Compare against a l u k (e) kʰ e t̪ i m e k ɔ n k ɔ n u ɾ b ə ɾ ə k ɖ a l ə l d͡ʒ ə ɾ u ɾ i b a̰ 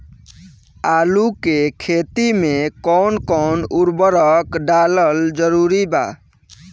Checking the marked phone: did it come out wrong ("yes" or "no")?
no